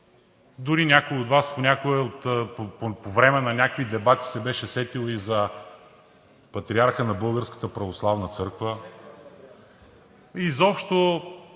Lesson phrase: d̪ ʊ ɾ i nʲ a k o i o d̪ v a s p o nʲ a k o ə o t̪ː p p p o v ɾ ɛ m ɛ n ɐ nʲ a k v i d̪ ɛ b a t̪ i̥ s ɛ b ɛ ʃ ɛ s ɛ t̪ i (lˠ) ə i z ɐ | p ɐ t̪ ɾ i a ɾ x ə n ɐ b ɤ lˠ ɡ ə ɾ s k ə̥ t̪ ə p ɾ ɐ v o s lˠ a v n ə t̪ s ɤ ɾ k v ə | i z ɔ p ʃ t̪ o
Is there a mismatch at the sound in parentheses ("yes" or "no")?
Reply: no